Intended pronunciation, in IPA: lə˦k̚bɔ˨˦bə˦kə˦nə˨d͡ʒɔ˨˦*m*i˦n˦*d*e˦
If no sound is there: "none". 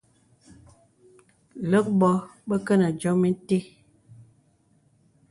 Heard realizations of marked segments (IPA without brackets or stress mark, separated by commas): m, t